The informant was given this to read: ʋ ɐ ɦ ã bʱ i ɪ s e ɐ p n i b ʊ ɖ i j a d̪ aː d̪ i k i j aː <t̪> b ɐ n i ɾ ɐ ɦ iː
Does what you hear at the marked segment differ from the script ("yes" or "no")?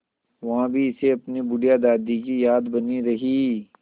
yes